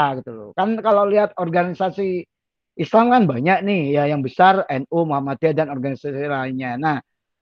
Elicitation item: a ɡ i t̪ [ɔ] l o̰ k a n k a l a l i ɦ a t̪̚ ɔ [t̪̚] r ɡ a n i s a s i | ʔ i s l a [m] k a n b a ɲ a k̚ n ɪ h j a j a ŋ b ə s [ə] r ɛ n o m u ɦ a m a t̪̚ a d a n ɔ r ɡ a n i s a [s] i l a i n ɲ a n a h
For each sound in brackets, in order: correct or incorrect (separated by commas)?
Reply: incorrect, incorrect, correct, incorrect, correct